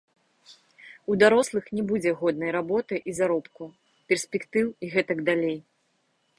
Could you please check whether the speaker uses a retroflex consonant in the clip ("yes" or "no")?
no